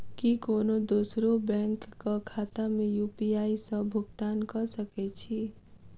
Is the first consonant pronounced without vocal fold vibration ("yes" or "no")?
yes